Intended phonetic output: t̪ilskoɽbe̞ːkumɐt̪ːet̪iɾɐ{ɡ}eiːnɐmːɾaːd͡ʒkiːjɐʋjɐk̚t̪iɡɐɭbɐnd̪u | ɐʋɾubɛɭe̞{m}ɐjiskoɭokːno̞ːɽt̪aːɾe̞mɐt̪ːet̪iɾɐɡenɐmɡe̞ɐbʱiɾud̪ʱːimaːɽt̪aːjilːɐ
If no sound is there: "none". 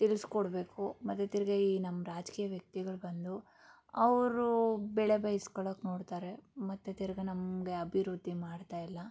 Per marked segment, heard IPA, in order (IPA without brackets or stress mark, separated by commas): ɡ, b